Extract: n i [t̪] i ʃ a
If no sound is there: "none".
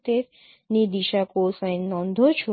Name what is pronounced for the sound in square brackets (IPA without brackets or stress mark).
d̪